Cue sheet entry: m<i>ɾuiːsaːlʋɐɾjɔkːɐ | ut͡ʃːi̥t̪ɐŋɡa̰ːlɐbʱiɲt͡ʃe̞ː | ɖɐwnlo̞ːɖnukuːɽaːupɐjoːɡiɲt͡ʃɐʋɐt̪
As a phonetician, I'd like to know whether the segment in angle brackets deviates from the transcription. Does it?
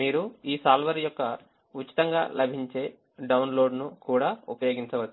yes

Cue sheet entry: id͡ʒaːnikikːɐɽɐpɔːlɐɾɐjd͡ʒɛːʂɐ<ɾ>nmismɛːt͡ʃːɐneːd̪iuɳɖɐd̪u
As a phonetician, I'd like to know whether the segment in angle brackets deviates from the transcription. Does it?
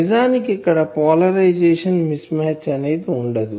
yes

